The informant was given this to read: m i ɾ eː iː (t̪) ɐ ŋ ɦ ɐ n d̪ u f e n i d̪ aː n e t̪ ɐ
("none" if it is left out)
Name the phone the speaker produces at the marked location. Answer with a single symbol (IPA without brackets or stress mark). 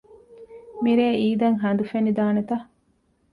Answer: d̪